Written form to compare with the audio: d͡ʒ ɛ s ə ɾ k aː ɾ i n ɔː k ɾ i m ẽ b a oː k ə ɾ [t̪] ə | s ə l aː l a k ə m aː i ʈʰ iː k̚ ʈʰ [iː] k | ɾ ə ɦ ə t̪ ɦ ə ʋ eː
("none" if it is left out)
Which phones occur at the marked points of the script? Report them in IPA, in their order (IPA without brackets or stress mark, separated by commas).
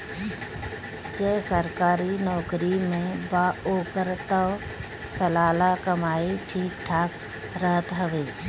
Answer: t̪, aː